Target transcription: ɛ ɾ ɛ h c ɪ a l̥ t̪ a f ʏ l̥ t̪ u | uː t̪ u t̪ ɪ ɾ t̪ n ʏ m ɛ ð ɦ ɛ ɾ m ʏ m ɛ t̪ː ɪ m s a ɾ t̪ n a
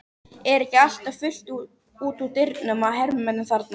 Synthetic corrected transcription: ɛ ɾ ɛ h c ɪ a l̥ t̪ a f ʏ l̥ t̪ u | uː t̪ u t̪ ɪ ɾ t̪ n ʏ m a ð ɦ ɛ ɾ m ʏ m ɛ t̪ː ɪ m θ a ɾ t̪ n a